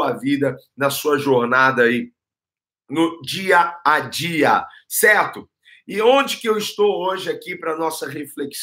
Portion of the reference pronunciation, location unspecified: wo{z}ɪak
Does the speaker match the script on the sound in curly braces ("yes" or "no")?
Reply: no